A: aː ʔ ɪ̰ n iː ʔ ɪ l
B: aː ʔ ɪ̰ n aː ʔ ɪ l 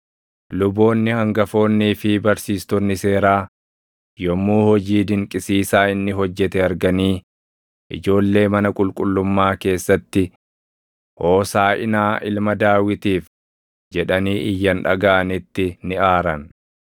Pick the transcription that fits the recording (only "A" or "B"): B